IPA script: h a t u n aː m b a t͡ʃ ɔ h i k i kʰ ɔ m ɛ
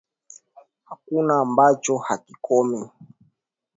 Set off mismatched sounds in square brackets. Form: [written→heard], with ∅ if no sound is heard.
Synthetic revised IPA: h a [t→k] u n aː m b a t͡ʃ ɔ h [i→a] k i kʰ ɔ m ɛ